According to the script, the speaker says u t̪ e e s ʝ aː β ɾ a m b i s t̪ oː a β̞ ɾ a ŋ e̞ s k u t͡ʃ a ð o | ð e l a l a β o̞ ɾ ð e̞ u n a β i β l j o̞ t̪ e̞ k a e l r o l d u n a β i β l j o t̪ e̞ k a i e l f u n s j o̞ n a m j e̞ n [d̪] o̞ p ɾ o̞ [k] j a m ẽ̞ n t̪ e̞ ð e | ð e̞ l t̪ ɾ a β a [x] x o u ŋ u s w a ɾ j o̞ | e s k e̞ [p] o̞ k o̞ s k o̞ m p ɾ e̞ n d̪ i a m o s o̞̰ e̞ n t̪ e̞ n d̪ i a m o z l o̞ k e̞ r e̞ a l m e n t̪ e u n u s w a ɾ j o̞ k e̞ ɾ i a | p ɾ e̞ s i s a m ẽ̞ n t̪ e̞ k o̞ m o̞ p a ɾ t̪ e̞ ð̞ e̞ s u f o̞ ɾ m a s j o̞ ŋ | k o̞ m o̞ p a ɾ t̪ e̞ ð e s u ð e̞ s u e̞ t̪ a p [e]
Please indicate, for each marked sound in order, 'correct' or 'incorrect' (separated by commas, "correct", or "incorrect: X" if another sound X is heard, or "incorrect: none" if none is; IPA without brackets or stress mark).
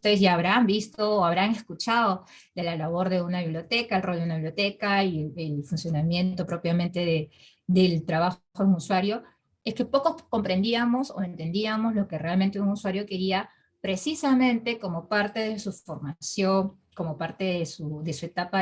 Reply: incorrect: t̪, incorrect: p, correct, correct, incorrect: a